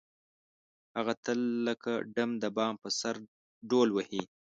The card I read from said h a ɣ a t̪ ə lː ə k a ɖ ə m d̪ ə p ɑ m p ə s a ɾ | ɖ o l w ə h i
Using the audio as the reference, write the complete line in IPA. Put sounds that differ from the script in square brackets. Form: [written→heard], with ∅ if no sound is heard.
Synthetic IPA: h a ɣ a t̪ ə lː ə k a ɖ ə m d̪ ə [p→b] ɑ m p ə s a ɾ | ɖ o l w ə h i